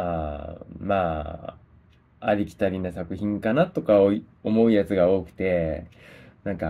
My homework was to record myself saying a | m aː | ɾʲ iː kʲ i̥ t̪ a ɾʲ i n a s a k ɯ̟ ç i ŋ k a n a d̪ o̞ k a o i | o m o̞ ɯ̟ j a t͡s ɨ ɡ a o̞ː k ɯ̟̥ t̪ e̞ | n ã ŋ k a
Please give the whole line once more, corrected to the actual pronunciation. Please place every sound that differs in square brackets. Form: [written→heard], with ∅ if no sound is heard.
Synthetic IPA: a | m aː | ɾʲ [iː→i] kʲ i̥ t̪ a ɾʲ i n a s a k ɯ̟ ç [i→ĩ] ŋ k a n a [d̪→t̪] o̞ k a o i | o m o̞ ɯ̟ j a t͡s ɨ ɡ a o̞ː k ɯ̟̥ t̪ e̞ | n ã ŋ k a